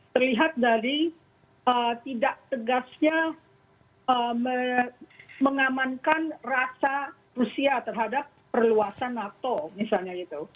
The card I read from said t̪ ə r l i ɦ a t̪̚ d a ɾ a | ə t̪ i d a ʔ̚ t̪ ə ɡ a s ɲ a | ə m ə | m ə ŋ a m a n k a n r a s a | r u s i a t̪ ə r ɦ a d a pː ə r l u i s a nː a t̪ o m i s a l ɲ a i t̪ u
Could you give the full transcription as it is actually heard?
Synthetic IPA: t̪ ə r l i ɦ a t̪̚ d a ɾ i | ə t̪ i d a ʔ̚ t̪ ə ɡ a s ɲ a | ə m ə | m ə ŋ a m a n k a n r a s a | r u s i a t̪ ə r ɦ a d a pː ə r l u a s a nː a t̪ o m i s a l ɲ a i t̪ u